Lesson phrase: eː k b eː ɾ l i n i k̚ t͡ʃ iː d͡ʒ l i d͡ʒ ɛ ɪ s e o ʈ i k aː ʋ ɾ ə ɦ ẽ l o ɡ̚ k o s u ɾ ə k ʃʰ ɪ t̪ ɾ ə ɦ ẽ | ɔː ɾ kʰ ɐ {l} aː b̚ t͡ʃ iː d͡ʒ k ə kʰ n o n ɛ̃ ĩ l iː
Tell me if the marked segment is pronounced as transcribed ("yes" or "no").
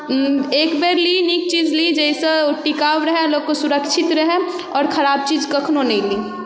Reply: no